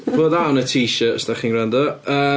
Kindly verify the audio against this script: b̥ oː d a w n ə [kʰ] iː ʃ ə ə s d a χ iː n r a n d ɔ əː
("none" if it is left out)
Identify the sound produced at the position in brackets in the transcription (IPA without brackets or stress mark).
tʰ